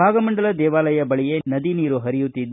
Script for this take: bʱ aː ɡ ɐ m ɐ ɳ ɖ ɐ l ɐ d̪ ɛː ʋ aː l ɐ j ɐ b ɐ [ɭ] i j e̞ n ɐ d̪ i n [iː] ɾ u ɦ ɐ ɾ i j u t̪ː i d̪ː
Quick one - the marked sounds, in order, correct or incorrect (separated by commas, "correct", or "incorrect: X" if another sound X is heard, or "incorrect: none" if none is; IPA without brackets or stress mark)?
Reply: correct, correct